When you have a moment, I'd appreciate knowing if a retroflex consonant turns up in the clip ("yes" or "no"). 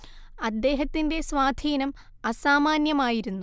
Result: no